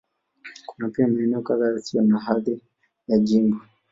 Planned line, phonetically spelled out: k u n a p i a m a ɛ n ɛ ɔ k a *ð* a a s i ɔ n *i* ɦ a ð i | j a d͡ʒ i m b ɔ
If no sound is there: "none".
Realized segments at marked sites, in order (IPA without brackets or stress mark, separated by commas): ð, a